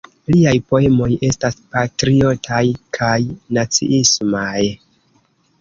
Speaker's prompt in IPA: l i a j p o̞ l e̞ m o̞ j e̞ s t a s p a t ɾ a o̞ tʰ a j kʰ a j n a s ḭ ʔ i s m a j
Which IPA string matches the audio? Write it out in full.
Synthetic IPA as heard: l i a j p o̞ e̞ m o̞ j e̞ s t a s p a t ɾ i o̞ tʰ a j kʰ a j n a t͡s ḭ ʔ i s m a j